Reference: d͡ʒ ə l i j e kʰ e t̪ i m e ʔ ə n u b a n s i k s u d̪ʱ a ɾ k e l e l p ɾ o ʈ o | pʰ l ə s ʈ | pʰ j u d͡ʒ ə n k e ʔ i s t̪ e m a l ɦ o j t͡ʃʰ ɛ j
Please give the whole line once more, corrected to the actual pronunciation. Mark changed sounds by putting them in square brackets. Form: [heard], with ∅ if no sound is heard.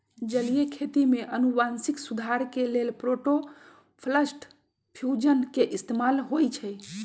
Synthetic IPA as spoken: d͡ʒ ə l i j e kʰ e t̪ i m e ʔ ə n u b a n s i k s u d̪ʱ a ɾ k e l e l p ɾ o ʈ o | pʰ l ə s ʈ | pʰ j u d͡ʒ ə n k e ʔ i s t̪ e m a l ɦ o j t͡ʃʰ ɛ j

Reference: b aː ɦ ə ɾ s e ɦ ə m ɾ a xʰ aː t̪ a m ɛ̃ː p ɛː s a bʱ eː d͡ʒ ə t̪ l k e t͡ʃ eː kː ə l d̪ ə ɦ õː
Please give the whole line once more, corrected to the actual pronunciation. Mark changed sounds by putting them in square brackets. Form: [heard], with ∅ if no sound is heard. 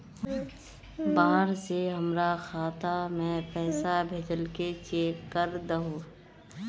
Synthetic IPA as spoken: b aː ɦ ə ɾ s e ɦ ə m ɾ a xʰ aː t̪ a m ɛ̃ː p ɛː s a bʱ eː d͡ʒ ə [∅] l k e t͡ʃ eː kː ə [ɾ] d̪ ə ɦ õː

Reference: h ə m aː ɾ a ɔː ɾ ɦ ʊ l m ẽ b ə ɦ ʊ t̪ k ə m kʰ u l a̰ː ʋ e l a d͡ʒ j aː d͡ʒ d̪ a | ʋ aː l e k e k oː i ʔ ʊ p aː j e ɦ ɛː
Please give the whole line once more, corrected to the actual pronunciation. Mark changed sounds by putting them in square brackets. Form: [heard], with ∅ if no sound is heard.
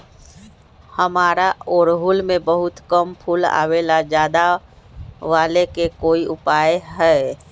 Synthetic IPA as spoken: h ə m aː ɾ a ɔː ɾ ɦ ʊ l m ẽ b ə ɦ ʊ t̪ k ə m [pʰ] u l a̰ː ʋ e l a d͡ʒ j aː [∅] d̪ a | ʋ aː l e k e k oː i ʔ ʊ p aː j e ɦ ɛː

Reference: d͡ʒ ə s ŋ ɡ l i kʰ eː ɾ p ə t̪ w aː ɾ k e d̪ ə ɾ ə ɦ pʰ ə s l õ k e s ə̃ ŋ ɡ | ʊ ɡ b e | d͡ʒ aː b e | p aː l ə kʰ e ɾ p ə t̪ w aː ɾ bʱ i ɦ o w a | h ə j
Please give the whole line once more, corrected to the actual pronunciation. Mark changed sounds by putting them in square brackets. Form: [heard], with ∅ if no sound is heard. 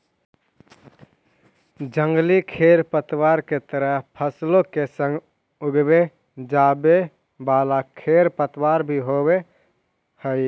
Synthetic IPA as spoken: d͡ʒ ə [∅] ŋ ɡ l i kʰ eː ɾ p ə t̪ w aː ɾ k e [t̪] ə ɾ ə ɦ pʰ ə s l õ k e s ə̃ ŋ ɡ | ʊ ɡ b e | d͡ʒ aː b e | [b] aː l [a] kʰ e ɾ p ə t̪ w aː ɾ bʱ i ɦ o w [e] | h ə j

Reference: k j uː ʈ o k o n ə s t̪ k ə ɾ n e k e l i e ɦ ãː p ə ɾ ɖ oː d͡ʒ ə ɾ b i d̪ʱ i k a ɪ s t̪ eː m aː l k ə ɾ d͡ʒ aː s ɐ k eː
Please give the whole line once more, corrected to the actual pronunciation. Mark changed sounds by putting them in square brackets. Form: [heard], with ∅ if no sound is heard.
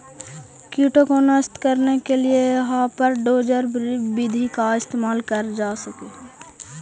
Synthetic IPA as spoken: k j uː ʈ o k o n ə s t̪ k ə ɾ n e k e l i e ɦ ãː p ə ɾ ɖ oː d͡ʒ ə ɾ b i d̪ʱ i k a ɪ s t̪ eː m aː l k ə ɾ d͡ʒ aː s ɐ k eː

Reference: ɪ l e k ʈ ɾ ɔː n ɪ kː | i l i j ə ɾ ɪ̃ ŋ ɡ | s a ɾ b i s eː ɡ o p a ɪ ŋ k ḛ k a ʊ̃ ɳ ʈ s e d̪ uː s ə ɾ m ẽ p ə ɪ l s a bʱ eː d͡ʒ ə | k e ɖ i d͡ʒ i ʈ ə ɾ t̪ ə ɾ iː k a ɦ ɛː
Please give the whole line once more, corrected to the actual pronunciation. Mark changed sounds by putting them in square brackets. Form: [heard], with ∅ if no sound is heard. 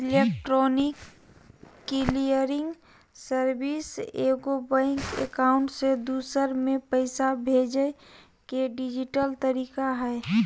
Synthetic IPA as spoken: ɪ l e k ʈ ɾ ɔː n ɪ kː | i l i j ə ɾ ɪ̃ ŋ ɡ | s [ə] ɾ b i s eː ɡ o [b] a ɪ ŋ k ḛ k a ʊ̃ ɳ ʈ s e d̪ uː s ə ɾ m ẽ p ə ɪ [∅] s a bʱ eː d͡ʒ ə | k e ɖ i d͡ʒ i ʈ ə [l] t̪ ə ɾ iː k a ɦ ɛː

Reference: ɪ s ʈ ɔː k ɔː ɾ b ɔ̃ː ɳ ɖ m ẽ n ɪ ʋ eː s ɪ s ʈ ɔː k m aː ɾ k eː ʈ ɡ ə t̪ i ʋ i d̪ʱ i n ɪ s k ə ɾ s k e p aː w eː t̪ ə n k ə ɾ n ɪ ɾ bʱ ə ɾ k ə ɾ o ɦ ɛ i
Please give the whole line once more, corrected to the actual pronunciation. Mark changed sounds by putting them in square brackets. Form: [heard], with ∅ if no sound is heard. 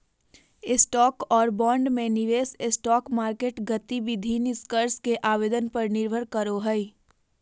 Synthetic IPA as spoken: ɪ s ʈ ɔː k ɔː ɾ b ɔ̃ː ɳ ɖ m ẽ n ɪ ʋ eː s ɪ s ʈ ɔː k m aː ɾ k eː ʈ ɡ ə t̪ i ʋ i d̪ʱ i n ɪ s k ə ɾ s k e [ʔ] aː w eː [d̪] ə n [p] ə ɾ n ɪ ɾ bʱ ə ɾ k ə ɾ o ɦ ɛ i

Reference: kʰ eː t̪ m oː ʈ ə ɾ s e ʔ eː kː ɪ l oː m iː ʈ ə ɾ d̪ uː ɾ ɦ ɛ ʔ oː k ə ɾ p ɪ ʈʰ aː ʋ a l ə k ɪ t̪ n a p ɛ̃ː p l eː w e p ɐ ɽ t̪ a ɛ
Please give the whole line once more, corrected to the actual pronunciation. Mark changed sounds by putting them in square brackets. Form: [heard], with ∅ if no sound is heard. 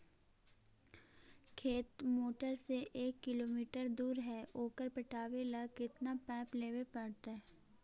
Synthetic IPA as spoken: kʰ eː t̪ m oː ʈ ə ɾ s e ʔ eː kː ɪ l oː m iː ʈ ə ɾ d̪ uː ɾ ɦ ɛ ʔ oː k ə ɾ p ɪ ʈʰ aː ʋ [e] l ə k ɪ t̪ n a p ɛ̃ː p l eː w e p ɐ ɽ t̪ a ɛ

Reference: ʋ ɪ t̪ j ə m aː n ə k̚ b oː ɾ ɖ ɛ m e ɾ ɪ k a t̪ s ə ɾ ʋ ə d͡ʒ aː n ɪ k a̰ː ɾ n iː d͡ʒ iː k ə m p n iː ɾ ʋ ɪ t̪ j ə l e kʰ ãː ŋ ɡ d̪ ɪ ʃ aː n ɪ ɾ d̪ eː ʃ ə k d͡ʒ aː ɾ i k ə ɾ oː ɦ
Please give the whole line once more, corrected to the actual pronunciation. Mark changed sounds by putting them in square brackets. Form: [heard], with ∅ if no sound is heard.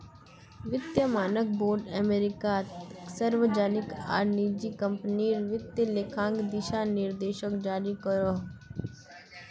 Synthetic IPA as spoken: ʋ ɪ t̪ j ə m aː n ə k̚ b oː ɾ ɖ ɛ m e ɾ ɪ k a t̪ s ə ɾ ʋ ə d͡ʒ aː n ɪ k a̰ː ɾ n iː d͡ʒ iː k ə m p n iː ɾ ʋ ɪ t̪ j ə l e kʰ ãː ŋ ɡ d̪ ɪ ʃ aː n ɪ ɾ d̪ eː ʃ ə k d͡ʒ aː ɾ i k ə ɾ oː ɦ

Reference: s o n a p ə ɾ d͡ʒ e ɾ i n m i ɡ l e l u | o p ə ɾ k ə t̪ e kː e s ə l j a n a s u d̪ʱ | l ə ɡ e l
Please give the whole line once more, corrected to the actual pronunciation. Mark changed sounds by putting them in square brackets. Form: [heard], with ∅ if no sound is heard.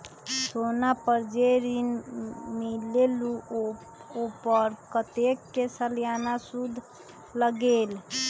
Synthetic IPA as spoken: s o n a p ə ɾ d͡ʒ e ɾ i n m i [∅] l e l u | o p ə ɾ k ə t̪ e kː e s ə l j a n a s u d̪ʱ | l ə ɡ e l

